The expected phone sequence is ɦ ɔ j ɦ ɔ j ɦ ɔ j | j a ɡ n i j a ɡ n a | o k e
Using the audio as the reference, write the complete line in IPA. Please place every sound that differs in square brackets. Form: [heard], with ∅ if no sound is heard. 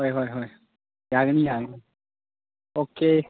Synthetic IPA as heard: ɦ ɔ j ɦ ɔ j ɦ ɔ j | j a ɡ n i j a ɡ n [i] | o k e